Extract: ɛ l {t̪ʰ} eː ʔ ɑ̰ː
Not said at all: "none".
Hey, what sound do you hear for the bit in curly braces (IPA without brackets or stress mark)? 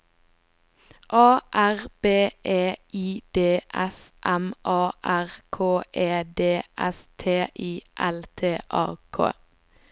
t̪ʰ